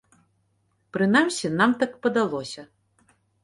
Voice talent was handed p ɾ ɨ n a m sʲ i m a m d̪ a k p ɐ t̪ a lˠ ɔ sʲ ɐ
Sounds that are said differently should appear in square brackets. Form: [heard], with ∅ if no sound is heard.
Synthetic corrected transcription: p ɾ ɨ n a m sʲ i [n] a m [t̪] a k p ɐ [d̪] a lˠ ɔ sʲ ɐ